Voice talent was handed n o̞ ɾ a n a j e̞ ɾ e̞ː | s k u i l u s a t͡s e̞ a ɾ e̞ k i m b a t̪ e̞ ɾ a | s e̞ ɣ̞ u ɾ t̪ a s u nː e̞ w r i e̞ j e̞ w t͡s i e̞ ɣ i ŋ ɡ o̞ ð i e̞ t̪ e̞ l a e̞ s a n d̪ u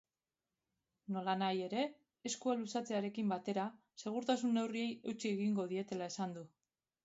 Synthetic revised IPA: n o̞ l a n a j e̞ ɾ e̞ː | s k u a l u s a t͡s e̞ a ɾ e̞ k i m b a t̪ e̞ ɾ a | s e̞ ɣ̞ u ɾ t̪ a s u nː e̞ w r i e̞ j e̞ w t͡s i e̞ ɣ i ŋ ɡ o̞ ð i e̞ t̪ e̞ l a e̞ s a n d̪ u